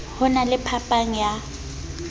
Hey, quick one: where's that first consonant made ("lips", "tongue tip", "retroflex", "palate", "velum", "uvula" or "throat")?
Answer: throat